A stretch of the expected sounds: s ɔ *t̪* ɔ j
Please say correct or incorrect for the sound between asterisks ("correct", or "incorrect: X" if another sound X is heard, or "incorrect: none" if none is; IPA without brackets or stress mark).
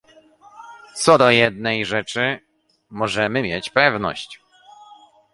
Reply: incorrect: d̪